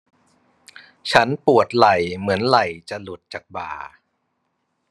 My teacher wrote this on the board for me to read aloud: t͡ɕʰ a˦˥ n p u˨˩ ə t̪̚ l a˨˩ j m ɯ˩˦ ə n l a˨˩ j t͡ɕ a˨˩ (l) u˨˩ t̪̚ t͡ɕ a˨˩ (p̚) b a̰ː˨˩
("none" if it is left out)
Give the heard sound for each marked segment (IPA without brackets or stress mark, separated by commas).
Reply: l, k̚